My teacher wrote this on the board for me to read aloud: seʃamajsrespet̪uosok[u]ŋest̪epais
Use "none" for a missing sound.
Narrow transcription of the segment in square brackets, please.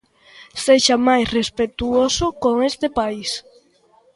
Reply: o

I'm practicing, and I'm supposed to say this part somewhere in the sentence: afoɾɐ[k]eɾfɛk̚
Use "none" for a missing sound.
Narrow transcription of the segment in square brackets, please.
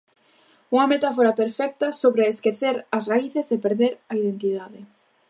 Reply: p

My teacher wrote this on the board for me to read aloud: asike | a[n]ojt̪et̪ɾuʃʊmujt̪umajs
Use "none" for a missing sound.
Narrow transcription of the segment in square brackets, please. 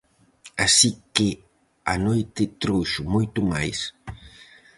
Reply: n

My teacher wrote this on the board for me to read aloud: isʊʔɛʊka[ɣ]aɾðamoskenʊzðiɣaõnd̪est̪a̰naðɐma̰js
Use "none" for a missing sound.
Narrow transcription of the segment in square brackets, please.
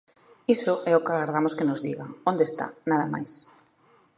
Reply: ɣ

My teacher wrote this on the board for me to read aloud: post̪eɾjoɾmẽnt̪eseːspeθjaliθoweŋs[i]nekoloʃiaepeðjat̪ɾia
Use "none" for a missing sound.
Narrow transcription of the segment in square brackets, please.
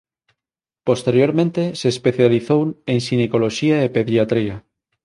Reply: i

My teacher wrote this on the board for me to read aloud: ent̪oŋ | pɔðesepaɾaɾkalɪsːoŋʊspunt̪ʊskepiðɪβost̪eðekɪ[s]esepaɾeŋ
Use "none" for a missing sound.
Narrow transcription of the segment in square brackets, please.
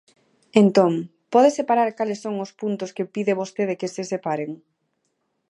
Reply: s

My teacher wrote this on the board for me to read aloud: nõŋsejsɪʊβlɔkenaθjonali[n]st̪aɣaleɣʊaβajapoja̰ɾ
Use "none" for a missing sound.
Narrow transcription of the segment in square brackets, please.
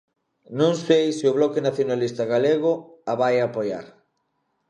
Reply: none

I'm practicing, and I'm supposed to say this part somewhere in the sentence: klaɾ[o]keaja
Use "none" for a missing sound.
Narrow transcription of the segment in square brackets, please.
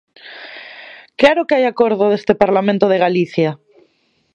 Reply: o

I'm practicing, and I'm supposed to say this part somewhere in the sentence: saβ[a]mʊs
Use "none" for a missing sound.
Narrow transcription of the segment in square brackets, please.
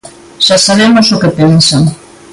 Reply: e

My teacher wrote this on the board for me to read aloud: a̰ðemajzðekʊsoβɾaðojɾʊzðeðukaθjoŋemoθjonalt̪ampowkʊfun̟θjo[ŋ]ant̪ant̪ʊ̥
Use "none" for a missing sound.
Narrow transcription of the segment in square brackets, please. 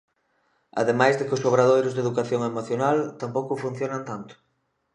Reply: n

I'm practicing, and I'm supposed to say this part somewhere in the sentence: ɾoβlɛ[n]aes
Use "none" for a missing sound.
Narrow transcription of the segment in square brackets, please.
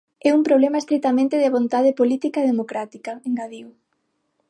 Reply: m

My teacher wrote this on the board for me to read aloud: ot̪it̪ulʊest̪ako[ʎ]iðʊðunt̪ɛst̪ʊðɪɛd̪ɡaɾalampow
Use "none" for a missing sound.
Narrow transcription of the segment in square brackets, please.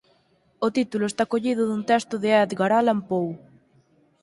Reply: ʎ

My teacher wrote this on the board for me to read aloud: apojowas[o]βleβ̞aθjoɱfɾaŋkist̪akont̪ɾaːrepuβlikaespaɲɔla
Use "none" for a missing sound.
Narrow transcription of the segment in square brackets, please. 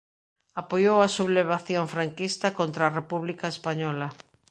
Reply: u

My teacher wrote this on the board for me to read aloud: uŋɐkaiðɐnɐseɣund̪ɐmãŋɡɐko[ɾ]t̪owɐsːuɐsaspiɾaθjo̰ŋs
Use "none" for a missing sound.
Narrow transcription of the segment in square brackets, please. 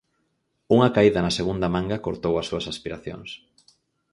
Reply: ɾ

